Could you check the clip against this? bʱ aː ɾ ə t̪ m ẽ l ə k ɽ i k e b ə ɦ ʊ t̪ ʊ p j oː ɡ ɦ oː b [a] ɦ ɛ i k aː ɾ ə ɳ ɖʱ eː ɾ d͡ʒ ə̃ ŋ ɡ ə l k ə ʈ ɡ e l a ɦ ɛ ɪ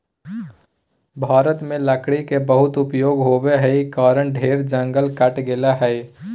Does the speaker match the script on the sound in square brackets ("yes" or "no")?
no